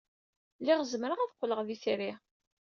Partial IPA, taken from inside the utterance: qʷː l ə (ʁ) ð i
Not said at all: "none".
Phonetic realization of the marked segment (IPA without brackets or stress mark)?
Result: ʁ